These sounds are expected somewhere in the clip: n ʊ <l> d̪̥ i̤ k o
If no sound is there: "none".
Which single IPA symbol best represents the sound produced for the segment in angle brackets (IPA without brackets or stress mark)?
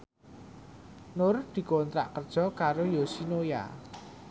r